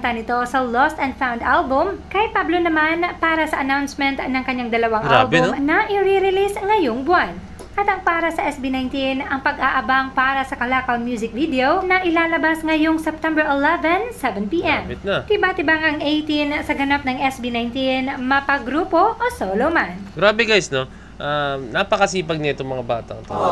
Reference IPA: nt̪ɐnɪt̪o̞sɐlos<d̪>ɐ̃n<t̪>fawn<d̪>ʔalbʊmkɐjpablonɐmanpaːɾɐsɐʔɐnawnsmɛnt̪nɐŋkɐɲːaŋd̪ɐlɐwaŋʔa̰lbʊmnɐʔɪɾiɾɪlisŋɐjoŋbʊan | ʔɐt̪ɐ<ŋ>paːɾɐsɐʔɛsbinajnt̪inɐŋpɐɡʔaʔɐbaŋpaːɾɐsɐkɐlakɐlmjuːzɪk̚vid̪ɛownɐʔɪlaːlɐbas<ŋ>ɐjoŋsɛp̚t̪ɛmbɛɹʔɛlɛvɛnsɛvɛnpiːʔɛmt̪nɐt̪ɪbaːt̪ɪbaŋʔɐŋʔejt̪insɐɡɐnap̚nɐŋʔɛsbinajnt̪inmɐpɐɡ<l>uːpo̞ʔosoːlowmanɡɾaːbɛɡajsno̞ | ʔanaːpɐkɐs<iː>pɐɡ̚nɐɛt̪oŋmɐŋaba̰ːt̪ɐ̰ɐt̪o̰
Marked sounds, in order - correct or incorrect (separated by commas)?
incorrect, incorrect, correct, correct, correct, incorrect, correct